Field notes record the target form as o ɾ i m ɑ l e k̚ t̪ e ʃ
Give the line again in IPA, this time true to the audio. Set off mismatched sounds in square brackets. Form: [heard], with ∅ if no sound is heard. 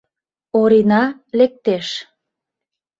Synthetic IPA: o ɾ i [n] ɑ l e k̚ t̪ e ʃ